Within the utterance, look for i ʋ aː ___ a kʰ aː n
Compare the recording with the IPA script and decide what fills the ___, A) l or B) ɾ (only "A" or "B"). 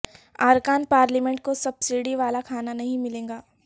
A